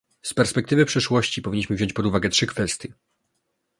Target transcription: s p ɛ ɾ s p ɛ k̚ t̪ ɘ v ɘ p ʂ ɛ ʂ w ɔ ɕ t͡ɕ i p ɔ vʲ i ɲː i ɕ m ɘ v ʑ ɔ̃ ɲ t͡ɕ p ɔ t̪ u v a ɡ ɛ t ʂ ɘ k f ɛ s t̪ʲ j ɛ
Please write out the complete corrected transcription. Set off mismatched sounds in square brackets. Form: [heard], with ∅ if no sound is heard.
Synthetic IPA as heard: s p ɛ ɾ s p ɛ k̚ t̪ ɘ v ɘ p ʂ ɛ ʂ w ɔ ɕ t͡ɕ i p ɔ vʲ i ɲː i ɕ m ɘ v ʑ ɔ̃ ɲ t͡ɕ p ɔ [d̪] u v a ɡ ɛ t ʂ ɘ k f ɛ s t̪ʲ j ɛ